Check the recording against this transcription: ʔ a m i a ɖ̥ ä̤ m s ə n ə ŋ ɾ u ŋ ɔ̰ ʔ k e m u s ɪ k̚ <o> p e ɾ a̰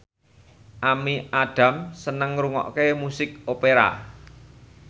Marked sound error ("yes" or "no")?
no